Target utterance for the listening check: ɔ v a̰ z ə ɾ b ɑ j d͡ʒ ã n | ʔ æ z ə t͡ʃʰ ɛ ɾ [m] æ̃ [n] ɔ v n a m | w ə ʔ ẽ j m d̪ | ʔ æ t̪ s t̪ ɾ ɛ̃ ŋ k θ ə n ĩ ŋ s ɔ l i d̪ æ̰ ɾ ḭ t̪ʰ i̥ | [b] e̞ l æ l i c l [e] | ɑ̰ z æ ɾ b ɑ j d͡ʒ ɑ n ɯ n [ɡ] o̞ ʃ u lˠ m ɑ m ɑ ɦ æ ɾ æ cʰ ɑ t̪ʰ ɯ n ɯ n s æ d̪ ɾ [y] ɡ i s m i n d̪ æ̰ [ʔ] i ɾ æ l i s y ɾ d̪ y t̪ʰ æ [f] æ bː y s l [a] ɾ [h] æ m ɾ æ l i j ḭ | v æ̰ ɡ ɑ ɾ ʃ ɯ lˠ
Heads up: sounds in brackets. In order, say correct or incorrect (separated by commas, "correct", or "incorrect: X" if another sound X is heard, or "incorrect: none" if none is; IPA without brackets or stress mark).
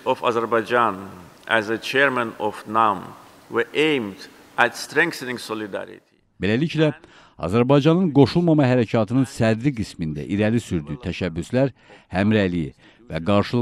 correct, correct, correct, incorrect: æ, correct, incorrect: i, correct, incorrect: ʃ, incorrect: æ, correct